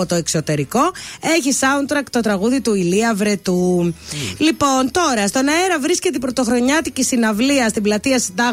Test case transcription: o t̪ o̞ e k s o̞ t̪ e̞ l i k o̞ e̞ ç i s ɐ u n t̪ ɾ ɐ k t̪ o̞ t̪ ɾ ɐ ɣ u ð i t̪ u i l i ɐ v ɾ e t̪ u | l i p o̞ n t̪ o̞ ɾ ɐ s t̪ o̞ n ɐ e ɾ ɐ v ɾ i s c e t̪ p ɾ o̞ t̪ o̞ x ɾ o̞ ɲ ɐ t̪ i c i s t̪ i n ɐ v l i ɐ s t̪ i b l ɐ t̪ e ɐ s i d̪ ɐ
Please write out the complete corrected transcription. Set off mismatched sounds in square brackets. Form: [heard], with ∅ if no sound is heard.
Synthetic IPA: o t̪ o̞ e k s o̞ t̪ e̞ [ɾ] i k o̞ e̞ ç i s ɐ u n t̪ ɾ ɐ k t̪ o̞ t̪ ɾ ɐ ɣ u ð i t̪ u i l i ɐ v ɾ e t̪ u | l i p o̞ n t̪ o̞ ɾ ɐ s t̪ o̞ n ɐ e ɾ ɐ v ɾ i s c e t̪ p ɾ o̞ t̪ o̞ x ɾ o̞ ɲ ɐ t̪ i c i s t̪ i n ɐ v l i ɐ s t̪ i b l ɐ t̪ [i] ɐ s i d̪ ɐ